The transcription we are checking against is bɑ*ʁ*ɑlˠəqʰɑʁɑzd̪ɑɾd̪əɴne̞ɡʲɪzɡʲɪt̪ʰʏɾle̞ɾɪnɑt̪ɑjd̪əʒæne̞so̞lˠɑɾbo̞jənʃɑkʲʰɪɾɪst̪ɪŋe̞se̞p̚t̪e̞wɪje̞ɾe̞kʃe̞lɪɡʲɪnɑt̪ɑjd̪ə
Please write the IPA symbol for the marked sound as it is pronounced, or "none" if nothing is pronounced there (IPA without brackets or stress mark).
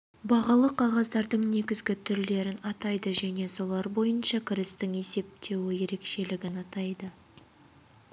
ʁ